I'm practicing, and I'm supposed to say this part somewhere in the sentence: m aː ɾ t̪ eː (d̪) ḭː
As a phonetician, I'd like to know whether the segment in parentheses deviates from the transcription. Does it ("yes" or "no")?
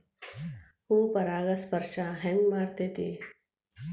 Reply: yes